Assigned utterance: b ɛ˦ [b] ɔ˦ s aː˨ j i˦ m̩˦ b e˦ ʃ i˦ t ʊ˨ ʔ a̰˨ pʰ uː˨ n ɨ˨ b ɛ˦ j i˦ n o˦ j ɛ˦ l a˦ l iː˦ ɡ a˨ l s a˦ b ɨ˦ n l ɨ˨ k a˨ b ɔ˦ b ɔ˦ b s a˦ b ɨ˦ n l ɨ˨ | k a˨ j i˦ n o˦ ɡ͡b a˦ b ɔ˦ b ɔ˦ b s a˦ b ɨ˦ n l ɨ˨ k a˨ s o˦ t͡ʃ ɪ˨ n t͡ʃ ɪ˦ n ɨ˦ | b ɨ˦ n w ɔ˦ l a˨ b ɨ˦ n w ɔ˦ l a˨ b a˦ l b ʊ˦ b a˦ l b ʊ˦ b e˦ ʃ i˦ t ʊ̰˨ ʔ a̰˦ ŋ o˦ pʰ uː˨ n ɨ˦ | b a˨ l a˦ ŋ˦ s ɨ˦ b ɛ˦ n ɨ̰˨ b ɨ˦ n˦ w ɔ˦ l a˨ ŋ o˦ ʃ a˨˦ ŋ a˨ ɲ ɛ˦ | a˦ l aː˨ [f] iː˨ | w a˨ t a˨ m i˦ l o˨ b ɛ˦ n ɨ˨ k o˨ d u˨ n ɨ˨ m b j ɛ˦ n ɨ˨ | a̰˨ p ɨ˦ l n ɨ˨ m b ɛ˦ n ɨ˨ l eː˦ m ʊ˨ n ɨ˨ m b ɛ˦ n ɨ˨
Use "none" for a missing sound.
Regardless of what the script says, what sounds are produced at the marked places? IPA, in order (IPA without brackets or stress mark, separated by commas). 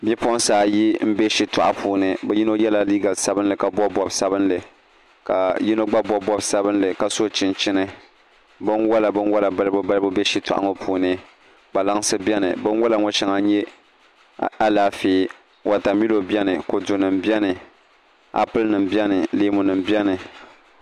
p, f